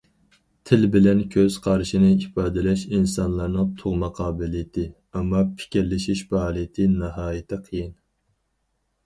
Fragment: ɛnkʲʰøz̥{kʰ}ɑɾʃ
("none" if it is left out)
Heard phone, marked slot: qʰ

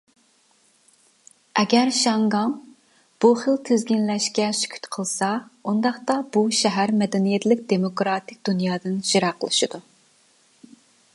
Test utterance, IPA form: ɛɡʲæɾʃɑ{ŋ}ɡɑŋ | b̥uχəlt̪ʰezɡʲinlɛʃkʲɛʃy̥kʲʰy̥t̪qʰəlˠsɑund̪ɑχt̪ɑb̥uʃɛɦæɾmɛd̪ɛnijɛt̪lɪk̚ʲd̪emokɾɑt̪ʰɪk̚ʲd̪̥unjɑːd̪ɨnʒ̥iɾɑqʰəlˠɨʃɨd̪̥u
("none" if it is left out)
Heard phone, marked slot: ŋ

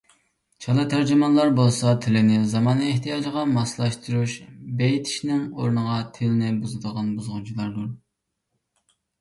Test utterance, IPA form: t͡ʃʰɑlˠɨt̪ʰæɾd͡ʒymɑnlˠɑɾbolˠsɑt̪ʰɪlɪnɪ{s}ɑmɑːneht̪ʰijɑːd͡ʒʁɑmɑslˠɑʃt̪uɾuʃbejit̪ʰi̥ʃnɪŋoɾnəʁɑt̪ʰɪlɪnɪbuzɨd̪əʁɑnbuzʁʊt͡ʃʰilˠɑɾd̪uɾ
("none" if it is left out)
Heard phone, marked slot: z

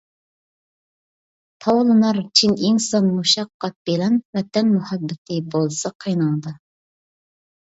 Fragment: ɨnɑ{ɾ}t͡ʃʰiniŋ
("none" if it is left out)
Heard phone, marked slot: ɾ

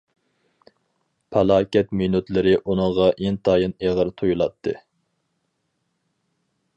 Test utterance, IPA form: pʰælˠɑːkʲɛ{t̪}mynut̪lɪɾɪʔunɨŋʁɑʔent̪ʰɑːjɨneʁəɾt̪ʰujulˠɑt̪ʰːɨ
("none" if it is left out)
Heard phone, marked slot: t̪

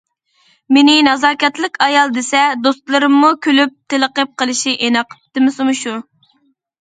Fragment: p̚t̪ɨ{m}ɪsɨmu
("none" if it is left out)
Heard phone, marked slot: m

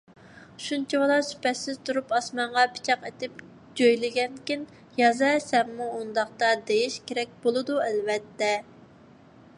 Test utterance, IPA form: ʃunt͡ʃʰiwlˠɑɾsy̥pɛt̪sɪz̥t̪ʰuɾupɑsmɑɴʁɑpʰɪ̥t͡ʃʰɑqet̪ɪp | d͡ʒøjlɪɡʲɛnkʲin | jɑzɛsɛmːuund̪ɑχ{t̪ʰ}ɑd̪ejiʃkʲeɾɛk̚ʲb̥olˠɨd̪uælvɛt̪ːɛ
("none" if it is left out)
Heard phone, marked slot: t̪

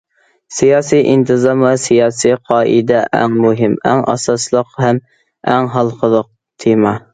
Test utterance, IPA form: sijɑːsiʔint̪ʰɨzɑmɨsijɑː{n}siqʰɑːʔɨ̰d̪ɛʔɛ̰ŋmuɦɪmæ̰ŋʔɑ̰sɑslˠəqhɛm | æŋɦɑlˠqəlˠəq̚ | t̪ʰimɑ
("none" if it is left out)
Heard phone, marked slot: none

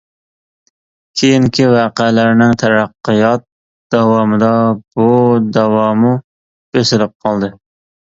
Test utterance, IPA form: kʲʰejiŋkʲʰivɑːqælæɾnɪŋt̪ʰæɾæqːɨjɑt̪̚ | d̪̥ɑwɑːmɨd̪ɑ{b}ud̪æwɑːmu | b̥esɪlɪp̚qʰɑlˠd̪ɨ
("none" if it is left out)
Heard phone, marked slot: b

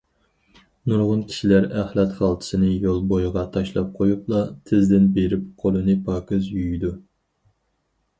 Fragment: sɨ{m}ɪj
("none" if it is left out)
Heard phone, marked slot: n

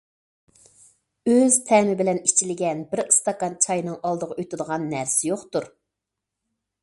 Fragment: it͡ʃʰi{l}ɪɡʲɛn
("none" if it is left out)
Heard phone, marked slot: l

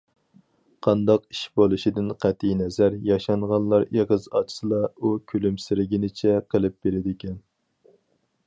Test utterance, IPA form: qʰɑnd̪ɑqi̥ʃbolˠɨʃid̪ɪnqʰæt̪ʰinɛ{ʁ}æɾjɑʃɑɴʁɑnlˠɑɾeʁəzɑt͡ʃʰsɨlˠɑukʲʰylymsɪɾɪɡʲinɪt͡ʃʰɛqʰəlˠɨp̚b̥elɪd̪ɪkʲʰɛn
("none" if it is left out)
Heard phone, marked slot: z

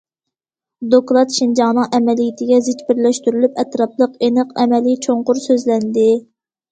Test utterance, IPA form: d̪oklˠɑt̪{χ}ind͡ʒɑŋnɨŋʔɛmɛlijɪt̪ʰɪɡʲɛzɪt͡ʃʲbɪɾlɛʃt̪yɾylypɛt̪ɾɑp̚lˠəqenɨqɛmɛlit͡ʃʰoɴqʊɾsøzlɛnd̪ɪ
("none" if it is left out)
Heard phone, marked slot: ʃ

